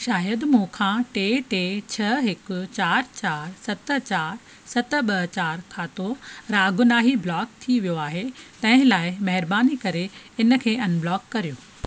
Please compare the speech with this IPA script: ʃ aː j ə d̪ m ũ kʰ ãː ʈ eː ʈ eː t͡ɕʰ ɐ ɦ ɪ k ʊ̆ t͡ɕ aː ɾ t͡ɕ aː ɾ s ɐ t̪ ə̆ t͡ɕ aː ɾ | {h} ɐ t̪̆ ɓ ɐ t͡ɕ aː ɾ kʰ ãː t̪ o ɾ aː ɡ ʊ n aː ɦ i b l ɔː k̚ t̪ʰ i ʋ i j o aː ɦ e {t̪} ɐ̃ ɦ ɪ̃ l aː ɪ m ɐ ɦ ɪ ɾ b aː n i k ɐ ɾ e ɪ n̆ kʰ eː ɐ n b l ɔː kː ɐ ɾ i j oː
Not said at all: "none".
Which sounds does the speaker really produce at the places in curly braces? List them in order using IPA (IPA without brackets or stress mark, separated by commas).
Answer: s, t̪